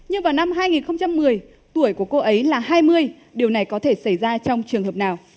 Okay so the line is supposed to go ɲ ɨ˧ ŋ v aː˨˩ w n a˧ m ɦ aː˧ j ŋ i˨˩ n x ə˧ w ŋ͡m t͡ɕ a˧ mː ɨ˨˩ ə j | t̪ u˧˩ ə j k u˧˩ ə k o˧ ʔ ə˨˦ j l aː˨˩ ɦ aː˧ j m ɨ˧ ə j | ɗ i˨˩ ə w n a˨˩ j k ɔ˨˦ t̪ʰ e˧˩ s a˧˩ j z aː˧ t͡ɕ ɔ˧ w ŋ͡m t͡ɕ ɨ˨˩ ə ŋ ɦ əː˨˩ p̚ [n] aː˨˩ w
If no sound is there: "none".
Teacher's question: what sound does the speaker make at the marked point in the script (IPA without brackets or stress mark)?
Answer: n